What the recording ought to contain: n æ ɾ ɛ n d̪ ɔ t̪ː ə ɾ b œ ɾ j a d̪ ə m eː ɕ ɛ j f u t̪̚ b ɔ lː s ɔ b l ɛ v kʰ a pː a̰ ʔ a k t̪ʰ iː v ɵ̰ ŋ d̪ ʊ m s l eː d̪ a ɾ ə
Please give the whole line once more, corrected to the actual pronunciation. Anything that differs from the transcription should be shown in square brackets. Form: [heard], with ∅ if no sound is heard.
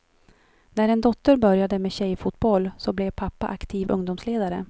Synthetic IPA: n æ ɾ ɛ n d̪ ɔ t̪ː ə ɾ b œ ɾ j a d̪ ə m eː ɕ ɛ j f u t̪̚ b ɔ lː s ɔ b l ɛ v [pʰ] a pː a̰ ʔ a k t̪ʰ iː v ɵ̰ ŋ d̪ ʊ m s l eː d̪ a ɾ ə

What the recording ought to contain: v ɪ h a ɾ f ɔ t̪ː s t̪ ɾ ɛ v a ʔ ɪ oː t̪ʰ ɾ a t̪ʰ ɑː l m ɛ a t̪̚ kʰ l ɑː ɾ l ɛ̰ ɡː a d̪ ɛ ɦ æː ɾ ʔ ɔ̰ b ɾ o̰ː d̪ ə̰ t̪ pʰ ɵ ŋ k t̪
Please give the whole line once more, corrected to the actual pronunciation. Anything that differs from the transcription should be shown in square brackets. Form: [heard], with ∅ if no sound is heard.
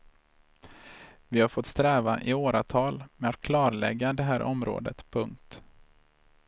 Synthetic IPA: v ɪ h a ɾ f ɔ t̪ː s t̪ ɾ [ɛː] v a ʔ ɪ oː [∅] ɾ a t̪ʰ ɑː l m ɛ a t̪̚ kʰ l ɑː ɾ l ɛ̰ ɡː a d̪ ɛ ɦ æː ɾ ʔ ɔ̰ [m] ɾ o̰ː d̪ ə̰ t̪ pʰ ɵ ŋ k t̪

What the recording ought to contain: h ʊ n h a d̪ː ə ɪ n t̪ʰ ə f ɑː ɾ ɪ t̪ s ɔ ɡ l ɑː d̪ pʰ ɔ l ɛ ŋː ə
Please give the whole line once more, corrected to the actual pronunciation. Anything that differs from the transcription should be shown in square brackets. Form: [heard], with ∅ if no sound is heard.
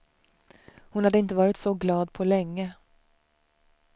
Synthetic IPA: h ʊ n h a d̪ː ə ɪ n [t̪] ə [v] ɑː ɾ ɪ t̪ s ɔ ɡ l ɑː d̪ pʰ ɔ l ɛ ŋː ə

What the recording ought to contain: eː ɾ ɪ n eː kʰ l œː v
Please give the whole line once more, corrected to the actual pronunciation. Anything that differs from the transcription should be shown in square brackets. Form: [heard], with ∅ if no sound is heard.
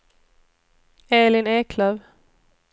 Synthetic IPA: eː [l] ɪ n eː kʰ l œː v

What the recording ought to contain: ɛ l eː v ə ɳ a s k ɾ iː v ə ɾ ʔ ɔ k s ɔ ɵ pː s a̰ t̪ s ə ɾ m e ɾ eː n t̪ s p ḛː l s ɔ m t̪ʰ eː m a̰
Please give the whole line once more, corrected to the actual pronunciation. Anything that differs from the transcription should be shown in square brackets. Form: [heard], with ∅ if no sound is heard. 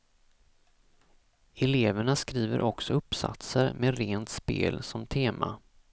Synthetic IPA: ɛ l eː v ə ɳ a s k ɾ iː v ə ɾ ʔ ɔ k s ɔ ɵ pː s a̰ t̪ s ə ɾ m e ɾ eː n t̪ s p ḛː l s ɔ m t̪ʰ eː m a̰

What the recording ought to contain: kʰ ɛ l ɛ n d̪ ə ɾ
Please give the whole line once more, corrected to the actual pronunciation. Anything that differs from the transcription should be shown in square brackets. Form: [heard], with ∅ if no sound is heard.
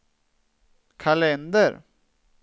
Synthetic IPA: kʰ [a] l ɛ n d̪ ə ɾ

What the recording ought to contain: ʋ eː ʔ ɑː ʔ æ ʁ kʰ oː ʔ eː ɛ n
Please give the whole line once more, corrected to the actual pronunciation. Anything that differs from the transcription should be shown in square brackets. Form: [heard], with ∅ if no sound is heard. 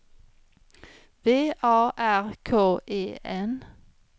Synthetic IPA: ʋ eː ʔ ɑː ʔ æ ʁ kʰ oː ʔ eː ɛ n

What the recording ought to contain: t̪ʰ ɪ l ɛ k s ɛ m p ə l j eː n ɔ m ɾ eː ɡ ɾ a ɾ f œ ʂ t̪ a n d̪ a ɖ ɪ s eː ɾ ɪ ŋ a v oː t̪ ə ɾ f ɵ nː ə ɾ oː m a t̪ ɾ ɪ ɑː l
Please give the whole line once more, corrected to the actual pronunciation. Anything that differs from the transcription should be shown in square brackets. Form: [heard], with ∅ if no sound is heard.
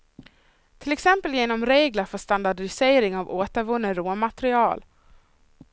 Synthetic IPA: t̪ʰ ɪ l ɛ k s ɛ m p ə l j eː n ɔ m ɾ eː ɡ [l] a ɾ f œ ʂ t̪ a n d̪ a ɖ ɪ s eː ɾ ɪ ŋ a v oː t̪ ə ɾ [v] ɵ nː ə ɾ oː m a t̪ ɾ ɪ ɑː l

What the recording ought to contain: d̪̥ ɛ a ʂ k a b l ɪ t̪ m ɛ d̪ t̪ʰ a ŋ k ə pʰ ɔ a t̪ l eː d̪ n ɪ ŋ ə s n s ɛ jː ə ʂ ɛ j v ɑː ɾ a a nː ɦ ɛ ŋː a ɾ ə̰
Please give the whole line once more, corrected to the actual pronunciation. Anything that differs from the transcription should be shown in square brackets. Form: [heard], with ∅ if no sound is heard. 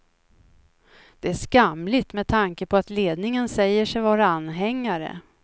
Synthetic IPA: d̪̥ ɛ [æ] ʂ k a [m] l ɪ t̪ m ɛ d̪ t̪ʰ a ŋ k ə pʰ ɔ a t̪ l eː d̪ n ɪ ŋ ə [∅] n s ɛ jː ə ʂ ɛ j v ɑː ɾ a a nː ɦ ɛ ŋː a ɾ ə̰

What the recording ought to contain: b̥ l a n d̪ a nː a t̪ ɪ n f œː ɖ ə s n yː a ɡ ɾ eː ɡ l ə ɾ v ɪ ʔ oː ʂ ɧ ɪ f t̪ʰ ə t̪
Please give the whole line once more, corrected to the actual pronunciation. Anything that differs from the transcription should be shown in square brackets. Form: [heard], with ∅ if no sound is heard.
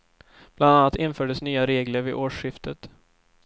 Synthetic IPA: b̥ l a n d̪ a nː a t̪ ɪ n f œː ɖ ə s n yː a [∅] ɾ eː ɡ l ə ɾ v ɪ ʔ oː ʂ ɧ ɪ f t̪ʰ ə t̪

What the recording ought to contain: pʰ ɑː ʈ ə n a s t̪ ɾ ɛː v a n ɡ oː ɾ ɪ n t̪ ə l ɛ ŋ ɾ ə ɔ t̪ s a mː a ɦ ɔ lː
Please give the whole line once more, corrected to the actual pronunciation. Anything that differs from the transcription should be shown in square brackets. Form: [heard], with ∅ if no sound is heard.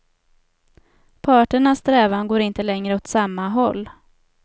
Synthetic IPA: pʰ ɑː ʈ ə [ɳ] a s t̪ ɾ ɛː v a n ɡ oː ɾ ɪ n t̪ ə l ɛ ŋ ɾ ə ɔ t̪ s a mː a ɦ ɔ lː

